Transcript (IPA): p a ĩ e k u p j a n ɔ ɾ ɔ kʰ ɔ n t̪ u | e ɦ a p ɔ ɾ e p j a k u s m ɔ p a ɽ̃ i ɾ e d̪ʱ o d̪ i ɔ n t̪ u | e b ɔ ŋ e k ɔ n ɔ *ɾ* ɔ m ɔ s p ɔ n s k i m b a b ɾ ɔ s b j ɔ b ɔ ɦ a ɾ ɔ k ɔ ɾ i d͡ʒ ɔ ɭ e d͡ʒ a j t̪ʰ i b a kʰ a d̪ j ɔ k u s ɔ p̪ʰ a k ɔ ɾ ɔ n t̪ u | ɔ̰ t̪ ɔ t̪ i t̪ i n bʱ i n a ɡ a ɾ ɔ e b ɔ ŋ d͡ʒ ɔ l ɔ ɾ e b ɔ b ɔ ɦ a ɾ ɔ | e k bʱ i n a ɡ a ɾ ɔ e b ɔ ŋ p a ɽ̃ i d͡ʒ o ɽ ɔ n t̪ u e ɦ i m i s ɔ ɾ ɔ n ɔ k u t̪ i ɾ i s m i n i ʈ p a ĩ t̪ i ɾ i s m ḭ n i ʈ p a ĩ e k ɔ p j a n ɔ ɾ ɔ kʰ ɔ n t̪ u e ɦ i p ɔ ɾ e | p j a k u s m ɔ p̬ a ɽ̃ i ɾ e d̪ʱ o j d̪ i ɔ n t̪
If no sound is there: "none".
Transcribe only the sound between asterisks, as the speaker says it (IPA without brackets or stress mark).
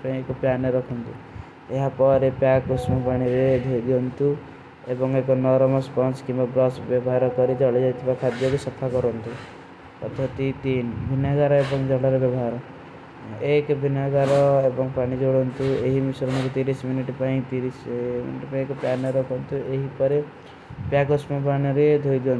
ɾ